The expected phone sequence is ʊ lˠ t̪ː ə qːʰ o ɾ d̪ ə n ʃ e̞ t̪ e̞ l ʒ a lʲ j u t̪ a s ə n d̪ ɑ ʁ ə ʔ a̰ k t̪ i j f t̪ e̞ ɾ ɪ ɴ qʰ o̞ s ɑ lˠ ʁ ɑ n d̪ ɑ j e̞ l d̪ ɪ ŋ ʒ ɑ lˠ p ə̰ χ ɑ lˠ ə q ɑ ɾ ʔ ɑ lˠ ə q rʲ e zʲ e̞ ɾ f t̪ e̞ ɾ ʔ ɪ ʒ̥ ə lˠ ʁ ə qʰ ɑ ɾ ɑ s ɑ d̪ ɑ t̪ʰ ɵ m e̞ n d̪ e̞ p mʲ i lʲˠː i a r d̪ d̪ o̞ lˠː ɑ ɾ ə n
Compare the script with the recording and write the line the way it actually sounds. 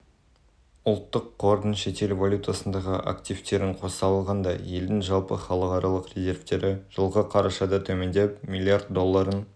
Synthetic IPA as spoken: ʊ lˠ t̪ː ə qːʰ o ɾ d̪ ə n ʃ e̞ t̪ e̞ l v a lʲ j u t̪ a s ə n d̪ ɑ ʁ ə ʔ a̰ k t̪ i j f t̪ e̞ ɾ ɪ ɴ qʰ o̞ s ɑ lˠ ʁ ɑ n d̪ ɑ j e̞ l d̪ ɪ ŋ ʒ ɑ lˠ p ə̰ χ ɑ lˠ ə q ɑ ɾ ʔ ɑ lˠ ə q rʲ e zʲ e̞ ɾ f t̪ e̞ ɾ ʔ ɪ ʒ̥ ə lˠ ʁ ə qʰ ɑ ɾ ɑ ʃ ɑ d̪ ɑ t̪ʰ ɵ m e̞ n d̪ e̞ p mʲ i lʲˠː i a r d̪ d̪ o̞ lˠː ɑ ɾ ə n